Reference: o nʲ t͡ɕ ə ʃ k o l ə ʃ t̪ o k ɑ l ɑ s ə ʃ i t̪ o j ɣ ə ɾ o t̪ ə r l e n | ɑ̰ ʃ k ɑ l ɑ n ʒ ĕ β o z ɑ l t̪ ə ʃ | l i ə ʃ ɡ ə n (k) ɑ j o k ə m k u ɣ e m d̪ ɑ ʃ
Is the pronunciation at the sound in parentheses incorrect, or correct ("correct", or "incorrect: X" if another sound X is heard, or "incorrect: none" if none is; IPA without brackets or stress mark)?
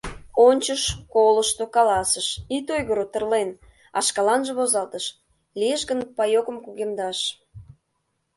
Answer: incorrect: p